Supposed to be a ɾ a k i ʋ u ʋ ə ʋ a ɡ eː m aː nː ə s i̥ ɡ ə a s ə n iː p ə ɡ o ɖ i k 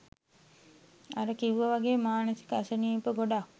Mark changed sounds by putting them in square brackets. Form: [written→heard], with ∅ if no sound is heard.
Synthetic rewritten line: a ɾ [a→ə] k i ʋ u ʋ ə ʋ a ɡ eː m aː [nː→n] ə s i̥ [ɡ→k] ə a s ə n iː p ə ɡ o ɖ [i→a] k

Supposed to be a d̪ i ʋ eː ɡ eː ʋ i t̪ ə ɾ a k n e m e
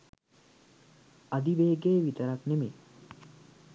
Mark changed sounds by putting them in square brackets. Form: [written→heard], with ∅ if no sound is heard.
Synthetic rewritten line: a d̪ i ʋ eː ɡ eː ʋ i t̪ ə ɾ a k n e m e

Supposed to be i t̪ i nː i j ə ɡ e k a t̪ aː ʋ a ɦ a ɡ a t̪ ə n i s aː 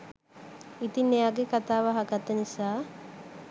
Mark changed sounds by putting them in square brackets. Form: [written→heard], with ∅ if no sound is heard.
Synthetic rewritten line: i t̪ i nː [i→e] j [ə→a] ɡ e k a t̪ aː ʋ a ɦ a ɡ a t̪ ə n i s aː

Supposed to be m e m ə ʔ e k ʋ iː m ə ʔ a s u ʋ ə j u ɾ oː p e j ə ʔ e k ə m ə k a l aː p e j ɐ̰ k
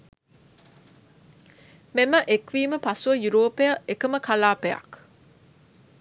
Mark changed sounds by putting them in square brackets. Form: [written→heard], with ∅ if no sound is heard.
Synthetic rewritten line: m e m ə ʔ e k ʋ iː m ə [ʔ→p] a s u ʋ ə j u ɾ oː p e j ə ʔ e k ə m ə k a l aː p e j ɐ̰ k

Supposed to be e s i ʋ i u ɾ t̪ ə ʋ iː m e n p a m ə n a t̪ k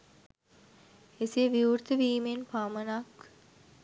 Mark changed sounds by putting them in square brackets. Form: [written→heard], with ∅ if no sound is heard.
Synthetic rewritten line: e s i ʋ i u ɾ t̪ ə ʋ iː m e n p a m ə n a [t̪→∅] k

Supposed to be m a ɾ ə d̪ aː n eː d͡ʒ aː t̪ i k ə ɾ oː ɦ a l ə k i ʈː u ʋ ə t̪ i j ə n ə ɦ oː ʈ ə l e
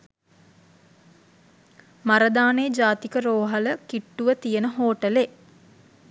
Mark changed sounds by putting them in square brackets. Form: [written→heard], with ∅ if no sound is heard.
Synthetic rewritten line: m a ɾ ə d̪ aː n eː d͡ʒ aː t̪ i k ə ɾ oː ɦ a l ə k i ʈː u ʋ ə t̪ i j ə n ə ɦ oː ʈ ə l e

